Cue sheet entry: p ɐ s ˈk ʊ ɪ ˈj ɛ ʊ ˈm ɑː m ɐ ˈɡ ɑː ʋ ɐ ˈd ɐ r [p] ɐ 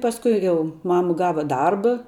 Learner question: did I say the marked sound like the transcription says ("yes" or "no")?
no